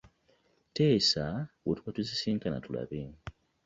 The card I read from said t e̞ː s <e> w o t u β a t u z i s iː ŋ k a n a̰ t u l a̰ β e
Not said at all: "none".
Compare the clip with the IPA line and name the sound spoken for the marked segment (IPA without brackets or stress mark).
a